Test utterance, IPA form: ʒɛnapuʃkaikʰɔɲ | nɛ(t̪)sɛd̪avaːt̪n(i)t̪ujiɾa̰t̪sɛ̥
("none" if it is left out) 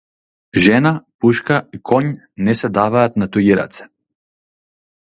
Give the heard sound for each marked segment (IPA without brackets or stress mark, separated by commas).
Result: none, a